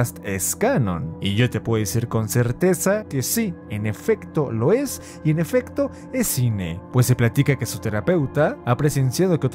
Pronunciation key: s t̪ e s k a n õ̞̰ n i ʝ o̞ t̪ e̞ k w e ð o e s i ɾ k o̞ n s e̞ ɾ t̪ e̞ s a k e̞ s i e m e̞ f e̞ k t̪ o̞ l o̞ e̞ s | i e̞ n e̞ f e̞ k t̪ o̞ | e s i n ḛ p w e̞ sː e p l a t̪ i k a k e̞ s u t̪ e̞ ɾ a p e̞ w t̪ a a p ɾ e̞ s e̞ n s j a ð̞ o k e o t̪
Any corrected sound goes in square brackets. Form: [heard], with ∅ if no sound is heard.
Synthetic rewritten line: s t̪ e s k a n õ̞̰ n i ʝ o̞ t̪ e̞ [p] w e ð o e s i ɾ k o̞ n s e̞ ɾ t̪ e̞ s a k e̞ s i e [n] e̞ f e̞ k t̪ o̞ l o̞ e̞ s | i e̞ n e̞ f e̞ k t̪ o̞ | e s i n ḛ p w e̞ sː e p l a t̪ i k a k e̞ s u t̪ e̞ ɾ a p e̞ w t̪ a a p ɾ e̞ s e̞ n s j a ð̞ o k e o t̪